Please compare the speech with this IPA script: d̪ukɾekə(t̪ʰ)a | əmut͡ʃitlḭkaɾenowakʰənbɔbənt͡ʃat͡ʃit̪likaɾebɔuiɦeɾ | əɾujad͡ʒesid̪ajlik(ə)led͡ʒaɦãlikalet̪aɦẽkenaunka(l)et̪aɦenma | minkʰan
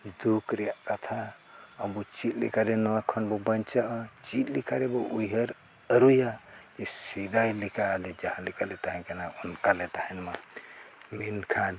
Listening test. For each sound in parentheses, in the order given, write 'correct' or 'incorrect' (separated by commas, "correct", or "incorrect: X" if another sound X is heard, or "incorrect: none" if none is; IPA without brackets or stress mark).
correct, incorrect: a, correct